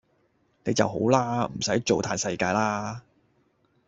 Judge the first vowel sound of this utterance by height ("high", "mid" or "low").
mid